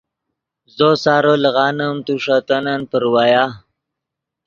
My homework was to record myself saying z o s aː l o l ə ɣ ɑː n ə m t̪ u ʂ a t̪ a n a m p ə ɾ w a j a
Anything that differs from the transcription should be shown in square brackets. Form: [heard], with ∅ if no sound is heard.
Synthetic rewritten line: z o s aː [ɾ] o l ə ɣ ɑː n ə m t̪ u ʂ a t̪ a n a [n] p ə ɾ w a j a